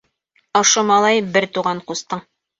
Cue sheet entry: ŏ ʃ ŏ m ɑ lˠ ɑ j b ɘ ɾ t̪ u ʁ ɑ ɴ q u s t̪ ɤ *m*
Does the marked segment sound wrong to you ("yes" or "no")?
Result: yes